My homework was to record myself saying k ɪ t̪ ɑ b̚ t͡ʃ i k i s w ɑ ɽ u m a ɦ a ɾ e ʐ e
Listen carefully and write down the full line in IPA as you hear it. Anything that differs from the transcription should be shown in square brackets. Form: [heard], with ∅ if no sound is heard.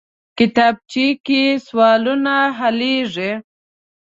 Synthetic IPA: k ɪ t̪ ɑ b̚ t͡ʃ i k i s w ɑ [l] u [n] a ɦ a [l] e ʐ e